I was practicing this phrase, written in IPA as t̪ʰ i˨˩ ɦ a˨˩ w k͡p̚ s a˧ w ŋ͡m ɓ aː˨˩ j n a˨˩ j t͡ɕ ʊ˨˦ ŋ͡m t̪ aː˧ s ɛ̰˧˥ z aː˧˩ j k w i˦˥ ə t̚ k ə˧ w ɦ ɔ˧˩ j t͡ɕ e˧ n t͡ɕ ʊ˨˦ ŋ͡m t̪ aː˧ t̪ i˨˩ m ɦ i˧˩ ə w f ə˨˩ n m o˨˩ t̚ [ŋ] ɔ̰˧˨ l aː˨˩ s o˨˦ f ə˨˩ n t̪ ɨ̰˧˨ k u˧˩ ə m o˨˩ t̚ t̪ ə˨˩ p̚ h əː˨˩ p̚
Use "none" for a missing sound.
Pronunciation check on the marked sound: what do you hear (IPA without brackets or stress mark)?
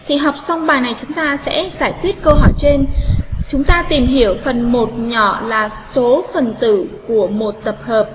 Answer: ɲ